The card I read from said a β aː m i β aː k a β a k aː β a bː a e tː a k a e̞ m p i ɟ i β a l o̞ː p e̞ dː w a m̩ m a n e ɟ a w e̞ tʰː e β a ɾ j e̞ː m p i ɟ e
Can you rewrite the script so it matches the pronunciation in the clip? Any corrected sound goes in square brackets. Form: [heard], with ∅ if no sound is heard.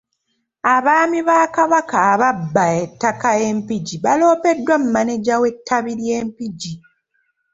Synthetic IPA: a β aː m i β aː k a β a k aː β a bː a e tː a k a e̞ m p i ɟ i β a l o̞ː p e̞ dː w a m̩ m a n e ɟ a w e̞ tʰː [a] β [i] ɾ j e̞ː m p i ɟ [i]